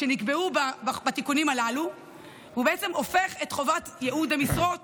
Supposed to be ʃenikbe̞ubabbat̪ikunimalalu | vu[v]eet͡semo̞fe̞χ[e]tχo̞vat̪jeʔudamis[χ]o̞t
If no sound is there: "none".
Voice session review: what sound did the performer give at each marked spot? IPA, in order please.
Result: b, e, ʁ

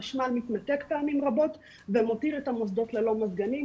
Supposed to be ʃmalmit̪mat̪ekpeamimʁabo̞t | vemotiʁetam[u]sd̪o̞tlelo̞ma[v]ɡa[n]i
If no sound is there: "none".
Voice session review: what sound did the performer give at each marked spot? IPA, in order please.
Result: o, z, n

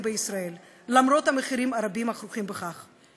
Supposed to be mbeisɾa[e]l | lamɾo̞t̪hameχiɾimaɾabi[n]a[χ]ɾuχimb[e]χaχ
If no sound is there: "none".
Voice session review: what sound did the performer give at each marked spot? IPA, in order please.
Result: e, m, χ, e

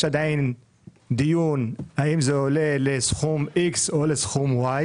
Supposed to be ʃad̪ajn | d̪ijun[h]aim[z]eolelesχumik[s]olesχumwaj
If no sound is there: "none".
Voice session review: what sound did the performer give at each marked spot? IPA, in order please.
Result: h, z, s

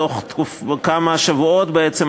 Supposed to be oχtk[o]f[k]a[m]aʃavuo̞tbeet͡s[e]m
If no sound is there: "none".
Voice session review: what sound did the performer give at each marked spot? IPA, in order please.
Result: u, k, m, e

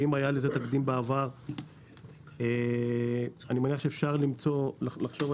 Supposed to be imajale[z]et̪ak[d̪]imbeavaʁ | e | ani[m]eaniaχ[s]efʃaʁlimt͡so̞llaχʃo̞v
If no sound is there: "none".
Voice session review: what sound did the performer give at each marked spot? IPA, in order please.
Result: z, d̪, m, ʃ

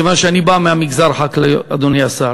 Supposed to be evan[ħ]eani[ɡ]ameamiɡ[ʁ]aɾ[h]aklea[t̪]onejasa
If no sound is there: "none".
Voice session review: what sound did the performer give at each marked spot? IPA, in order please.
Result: ʃ, b, z, ħ, d̪

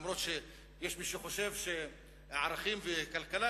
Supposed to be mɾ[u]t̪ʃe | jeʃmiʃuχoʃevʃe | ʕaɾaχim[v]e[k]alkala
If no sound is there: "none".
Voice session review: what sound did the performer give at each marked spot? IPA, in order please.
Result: o, v, k

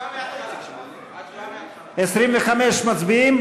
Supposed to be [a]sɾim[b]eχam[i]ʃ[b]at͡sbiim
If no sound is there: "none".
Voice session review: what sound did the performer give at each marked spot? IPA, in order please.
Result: e, v, e, m

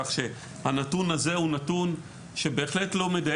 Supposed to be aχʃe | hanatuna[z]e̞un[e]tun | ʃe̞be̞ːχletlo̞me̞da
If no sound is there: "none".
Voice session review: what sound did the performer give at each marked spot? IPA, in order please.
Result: z, a

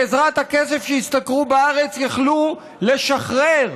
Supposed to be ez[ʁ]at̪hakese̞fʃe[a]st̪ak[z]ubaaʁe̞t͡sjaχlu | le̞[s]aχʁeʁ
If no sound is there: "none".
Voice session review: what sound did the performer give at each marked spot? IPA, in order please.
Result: ʁ, i, ʁ, ʃ

